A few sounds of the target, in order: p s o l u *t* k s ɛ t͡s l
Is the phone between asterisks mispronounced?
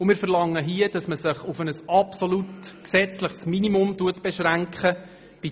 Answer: no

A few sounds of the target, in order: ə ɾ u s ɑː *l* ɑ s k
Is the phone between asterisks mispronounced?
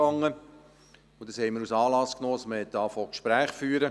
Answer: no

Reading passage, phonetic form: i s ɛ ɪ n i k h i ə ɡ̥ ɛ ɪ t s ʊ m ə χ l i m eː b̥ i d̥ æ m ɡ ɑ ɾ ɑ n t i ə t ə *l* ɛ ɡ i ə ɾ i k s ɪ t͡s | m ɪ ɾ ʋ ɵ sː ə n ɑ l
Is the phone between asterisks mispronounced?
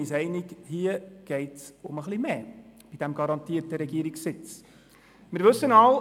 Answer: yes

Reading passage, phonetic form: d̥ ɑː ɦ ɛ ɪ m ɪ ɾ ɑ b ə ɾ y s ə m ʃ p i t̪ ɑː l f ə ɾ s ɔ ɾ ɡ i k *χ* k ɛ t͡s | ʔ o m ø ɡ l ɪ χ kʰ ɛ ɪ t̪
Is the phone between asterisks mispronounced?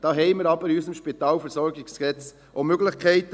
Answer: yes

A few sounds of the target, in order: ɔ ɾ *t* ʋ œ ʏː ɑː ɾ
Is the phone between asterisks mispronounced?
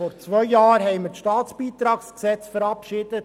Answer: yes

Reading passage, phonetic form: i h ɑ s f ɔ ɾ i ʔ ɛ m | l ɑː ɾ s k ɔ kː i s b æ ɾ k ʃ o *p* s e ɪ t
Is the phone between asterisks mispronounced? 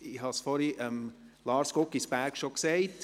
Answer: yes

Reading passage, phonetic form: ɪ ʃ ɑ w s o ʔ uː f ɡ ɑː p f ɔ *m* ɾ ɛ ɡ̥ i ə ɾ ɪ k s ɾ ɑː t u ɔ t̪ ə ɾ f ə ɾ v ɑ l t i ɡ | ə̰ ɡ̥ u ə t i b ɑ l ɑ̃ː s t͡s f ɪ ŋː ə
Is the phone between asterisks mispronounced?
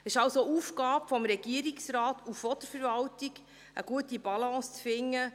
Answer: no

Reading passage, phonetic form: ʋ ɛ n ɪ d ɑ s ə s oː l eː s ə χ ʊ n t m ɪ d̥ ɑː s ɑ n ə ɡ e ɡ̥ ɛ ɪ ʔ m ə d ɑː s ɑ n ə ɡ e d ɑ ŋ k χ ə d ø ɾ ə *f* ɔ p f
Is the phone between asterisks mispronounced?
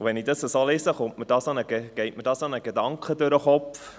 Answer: yes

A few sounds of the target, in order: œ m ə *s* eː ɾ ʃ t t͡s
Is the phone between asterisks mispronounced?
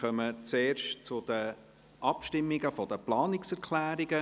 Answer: yes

